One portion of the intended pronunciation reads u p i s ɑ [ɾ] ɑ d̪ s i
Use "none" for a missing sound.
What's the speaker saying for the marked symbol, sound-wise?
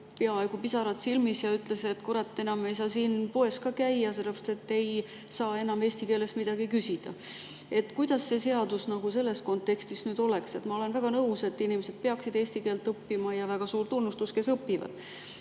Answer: ɾ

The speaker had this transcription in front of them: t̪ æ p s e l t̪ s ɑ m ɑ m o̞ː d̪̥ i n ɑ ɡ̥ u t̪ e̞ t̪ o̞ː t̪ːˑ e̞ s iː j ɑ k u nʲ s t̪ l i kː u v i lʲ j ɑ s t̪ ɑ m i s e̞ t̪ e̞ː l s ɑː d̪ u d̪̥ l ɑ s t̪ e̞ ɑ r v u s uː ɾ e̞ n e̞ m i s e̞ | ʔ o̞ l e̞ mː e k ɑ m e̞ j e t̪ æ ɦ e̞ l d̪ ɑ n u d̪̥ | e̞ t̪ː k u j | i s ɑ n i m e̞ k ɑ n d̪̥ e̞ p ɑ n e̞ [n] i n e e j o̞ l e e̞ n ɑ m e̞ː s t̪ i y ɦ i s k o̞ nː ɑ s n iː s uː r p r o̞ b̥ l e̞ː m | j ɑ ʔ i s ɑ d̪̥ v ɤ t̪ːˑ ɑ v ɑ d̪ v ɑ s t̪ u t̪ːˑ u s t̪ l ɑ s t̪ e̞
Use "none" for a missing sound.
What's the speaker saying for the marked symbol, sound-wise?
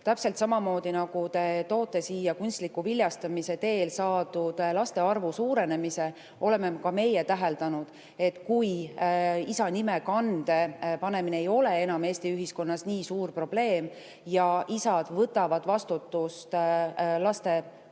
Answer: m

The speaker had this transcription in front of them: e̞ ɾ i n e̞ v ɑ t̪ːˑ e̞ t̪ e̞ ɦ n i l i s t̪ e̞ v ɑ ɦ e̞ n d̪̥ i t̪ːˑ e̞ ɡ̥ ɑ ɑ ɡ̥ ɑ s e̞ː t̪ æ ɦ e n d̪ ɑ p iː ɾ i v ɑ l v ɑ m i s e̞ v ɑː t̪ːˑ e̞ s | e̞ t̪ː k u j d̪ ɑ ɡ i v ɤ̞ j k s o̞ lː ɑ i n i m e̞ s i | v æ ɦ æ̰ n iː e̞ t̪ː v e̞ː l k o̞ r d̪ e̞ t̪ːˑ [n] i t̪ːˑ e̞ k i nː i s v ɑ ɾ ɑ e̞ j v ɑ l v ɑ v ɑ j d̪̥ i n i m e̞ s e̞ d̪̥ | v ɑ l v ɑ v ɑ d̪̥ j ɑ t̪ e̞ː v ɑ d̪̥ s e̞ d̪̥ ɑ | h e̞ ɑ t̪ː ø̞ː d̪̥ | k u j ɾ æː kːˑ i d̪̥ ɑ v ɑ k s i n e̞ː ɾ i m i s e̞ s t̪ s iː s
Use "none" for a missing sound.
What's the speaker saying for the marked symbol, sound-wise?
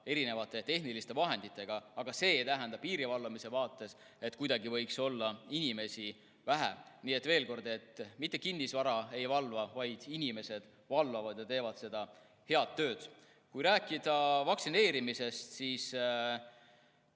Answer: m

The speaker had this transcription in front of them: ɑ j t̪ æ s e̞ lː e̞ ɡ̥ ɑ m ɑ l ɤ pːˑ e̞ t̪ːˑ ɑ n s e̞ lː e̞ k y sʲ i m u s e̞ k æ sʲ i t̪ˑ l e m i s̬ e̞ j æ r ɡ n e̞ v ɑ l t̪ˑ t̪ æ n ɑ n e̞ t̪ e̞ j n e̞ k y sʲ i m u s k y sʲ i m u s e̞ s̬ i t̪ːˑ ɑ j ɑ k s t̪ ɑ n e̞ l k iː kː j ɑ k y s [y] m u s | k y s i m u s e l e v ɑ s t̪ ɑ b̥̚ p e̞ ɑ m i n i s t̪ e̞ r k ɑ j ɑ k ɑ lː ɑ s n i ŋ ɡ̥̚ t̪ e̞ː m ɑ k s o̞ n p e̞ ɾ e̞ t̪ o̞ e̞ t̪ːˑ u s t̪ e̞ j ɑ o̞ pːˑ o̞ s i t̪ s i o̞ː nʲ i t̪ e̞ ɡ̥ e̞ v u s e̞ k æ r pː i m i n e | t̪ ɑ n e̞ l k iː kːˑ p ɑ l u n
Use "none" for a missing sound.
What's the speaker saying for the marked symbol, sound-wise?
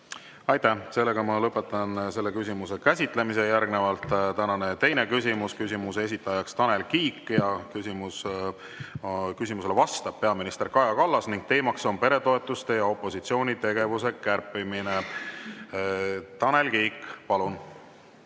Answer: i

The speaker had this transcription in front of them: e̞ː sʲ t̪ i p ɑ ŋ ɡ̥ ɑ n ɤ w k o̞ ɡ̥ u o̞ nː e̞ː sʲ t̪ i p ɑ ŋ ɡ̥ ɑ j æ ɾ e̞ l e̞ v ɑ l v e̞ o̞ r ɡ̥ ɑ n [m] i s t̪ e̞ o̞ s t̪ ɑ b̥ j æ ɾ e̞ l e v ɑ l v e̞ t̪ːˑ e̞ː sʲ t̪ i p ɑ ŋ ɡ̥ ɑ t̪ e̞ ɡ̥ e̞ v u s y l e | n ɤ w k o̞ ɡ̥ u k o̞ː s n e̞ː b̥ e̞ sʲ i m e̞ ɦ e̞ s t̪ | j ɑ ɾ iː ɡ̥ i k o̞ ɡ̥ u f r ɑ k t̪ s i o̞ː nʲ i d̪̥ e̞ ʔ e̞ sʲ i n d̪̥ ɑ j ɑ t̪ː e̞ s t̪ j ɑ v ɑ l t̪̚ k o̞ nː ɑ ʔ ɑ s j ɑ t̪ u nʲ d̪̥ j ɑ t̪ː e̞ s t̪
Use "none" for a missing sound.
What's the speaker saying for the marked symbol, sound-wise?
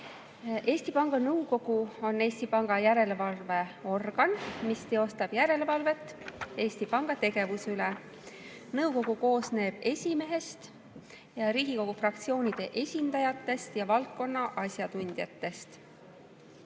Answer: m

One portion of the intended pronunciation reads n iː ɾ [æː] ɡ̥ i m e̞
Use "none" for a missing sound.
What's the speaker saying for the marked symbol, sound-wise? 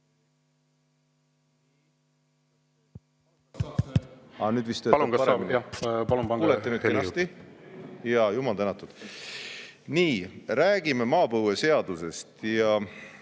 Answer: æː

